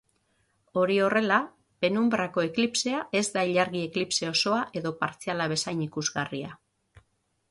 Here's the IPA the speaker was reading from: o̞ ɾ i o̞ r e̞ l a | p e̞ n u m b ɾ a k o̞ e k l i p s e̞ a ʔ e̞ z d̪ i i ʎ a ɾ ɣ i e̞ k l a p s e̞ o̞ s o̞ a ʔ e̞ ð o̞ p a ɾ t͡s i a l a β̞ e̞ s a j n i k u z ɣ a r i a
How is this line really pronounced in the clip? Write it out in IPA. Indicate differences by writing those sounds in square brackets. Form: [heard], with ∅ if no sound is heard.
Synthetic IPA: o̞ ɾ i o̞ r e̞ l a | p e̞ n u m b ɾ a k o̞ e k l i p s e̞ a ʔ e̞ z d̪ [a] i ʎ a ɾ ɣ i e̞ k l [i] p s e̞ o̞ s o̞ a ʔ e̞ ð o̞ p a ɾ t͡s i a l a β̞ e̞ s a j n i k u z ɣ a r i a